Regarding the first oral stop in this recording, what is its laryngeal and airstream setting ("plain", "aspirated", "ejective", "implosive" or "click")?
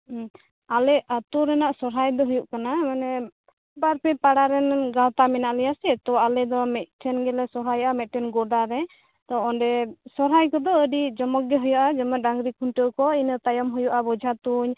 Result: plain